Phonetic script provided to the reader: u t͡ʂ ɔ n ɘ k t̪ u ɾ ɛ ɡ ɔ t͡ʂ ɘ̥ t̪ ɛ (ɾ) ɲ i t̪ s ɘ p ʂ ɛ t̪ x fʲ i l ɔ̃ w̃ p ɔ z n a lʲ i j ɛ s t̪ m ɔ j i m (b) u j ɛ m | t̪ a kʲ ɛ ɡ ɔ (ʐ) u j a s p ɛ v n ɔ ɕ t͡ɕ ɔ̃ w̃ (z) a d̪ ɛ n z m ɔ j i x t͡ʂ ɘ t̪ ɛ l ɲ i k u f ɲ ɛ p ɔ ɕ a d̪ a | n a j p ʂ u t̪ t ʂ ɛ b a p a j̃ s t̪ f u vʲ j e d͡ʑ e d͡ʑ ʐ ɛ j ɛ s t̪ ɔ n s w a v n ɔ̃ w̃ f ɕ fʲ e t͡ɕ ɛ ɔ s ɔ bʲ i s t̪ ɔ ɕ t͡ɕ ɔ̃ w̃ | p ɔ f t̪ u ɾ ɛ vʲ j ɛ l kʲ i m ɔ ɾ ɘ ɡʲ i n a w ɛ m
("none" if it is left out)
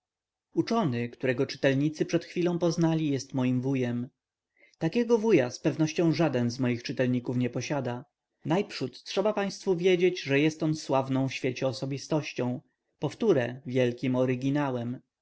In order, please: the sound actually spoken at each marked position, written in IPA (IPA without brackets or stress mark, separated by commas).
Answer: l, v, v, ʐ